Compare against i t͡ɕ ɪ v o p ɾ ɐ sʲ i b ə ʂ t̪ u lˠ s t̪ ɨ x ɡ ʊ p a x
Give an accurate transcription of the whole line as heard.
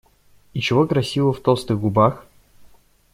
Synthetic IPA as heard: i t͡ɕ ɪ v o k ɾ ɐ sʲ i v ə f t̪ o lˠ s t̪ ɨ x ɡ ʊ b a x